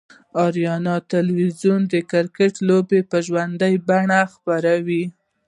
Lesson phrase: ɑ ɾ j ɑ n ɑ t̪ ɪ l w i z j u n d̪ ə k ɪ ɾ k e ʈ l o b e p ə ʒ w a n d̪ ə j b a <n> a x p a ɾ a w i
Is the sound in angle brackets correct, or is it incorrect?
incorrect